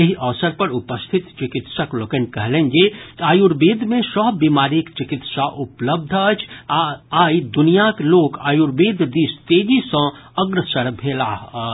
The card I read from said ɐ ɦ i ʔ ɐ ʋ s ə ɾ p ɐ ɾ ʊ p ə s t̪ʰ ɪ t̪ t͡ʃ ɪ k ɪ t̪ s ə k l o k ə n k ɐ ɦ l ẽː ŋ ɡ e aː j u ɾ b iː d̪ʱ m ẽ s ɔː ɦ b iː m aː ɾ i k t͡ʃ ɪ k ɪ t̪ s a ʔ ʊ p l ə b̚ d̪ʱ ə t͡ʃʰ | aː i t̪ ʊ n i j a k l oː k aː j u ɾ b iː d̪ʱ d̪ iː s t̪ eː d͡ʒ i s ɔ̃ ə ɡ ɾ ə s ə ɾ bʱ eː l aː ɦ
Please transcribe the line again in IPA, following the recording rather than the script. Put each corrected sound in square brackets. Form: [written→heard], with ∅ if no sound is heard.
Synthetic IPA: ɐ ɦ i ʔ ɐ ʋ s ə ɾ p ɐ ɾ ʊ p ə s t̪ʰ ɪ t̪ t͡ʃ ɪ k ɪ t̪ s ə k l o k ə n k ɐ ɦ l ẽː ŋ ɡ e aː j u ɾ b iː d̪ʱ m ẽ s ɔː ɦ b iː m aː ɾ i k t͡ʃ ɪ k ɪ t̪ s a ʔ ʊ p l ə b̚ d̪ʱ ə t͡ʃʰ | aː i [t̪→d̪] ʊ n i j a k l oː k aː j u ɾ b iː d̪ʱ d̪ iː s t̪ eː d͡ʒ i s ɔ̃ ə ɡ ɾ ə s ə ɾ bʱ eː l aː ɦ